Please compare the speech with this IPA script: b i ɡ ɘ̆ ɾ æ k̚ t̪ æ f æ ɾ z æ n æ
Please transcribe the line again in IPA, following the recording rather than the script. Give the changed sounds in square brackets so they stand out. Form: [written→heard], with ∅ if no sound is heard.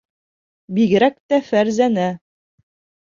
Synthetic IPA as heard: b i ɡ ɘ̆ ɾ æ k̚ t̪ æ f æ ɾ z æ n æ